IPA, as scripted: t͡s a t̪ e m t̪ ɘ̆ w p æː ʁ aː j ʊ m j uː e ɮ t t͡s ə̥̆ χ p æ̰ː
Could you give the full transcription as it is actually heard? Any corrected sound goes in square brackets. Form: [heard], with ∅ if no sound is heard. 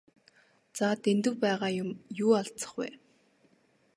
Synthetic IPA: t͡s a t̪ e [n] t̪ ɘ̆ w p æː ʁ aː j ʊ m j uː [a] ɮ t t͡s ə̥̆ χ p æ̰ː